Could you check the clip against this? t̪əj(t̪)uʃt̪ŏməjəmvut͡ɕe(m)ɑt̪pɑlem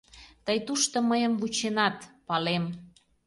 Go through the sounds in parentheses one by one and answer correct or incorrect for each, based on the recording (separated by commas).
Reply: correct, incorrect